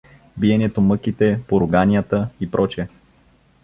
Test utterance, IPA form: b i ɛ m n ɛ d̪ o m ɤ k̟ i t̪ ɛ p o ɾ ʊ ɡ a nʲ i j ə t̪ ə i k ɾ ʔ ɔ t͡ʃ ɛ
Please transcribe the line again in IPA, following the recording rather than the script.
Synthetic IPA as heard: b i ɛ n ɛ t̪ o m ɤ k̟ i t̪ ɛ p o ɾ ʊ ɡ a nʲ i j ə t̪ ə i p ɾ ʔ ɔ t͡ʃ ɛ